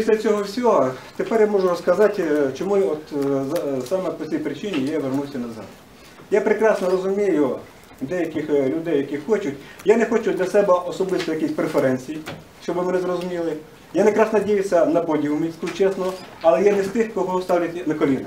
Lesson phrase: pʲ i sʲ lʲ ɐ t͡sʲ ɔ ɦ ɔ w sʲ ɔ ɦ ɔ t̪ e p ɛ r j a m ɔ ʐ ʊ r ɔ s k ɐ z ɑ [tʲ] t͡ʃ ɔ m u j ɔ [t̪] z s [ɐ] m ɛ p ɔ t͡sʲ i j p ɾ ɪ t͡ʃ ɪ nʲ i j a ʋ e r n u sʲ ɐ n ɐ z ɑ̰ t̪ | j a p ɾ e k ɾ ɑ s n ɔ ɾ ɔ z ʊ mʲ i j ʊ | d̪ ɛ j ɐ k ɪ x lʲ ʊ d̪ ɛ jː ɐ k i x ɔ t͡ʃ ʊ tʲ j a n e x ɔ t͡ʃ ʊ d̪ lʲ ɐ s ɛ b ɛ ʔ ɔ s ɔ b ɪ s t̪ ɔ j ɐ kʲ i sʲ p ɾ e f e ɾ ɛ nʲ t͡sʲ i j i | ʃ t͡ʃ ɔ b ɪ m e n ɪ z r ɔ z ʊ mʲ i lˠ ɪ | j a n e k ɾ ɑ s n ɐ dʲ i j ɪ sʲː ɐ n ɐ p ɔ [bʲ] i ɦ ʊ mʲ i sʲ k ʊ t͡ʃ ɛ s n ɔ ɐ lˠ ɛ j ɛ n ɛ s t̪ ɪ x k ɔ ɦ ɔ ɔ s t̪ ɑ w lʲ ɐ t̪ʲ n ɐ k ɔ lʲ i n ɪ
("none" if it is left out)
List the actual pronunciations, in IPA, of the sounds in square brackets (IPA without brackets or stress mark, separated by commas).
tʲ, t̪, ɑ, dʲ